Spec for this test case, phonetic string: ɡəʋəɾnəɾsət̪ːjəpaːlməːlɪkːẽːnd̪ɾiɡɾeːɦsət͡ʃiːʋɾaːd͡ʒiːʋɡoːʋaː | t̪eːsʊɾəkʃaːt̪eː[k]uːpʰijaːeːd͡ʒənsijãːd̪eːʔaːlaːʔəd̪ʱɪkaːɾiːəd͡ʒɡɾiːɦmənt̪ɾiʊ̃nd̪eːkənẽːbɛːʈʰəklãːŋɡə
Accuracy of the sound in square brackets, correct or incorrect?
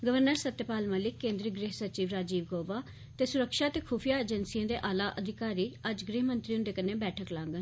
incorrect